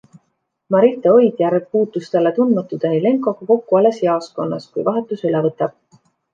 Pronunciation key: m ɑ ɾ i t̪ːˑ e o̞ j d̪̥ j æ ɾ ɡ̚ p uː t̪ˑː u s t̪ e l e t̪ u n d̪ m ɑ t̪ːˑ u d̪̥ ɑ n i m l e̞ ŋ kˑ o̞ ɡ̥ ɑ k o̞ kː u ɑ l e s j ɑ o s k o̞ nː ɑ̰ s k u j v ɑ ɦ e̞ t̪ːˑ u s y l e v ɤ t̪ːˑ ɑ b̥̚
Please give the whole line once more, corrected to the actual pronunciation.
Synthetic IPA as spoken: m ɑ ɾ i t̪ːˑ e o̞ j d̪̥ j æ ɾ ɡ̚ p uː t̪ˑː u s t̪ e l e t̪ u n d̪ m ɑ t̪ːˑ u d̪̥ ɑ n i l e̞ ŋ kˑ o̞ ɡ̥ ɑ k o̞ kː u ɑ l e s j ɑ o s k o̞ nː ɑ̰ s k u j v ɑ ɦ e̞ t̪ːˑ u s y l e v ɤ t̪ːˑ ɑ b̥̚